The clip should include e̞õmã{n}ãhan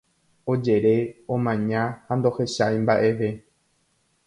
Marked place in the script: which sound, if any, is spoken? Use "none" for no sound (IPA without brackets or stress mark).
ɲ